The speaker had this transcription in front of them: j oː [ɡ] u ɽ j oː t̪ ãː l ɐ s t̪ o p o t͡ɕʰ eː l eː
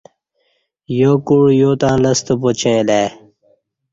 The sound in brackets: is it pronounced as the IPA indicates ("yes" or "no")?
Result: no